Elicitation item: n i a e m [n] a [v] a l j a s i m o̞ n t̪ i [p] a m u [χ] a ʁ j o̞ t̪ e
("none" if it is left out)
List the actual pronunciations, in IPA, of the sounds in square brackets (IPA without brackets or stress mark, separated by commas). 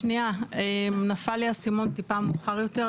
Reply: n, f, p, χ